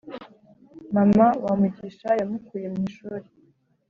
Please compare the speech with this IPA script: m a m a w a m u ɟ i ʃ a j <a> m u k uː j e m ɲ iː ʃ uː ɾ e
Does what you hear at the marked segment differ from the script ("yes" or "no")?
no